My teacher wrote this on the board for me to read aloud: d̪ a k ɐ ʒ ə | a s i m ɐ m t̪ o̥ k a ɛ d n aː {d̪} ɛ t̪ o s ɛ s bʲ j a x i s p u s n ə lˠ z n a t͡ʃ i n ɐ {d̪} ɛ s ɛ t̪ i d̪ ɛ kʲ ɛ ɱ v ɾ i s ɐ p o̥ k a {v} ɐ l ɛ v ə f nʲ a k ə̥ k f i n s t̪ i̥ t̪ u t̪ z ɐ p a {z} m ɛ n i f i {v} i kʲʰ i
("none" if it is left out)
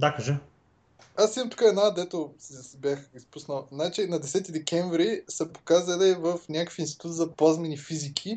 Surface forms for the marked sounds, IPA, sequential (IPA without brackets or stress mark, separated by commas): d̪, d̪, z, z, z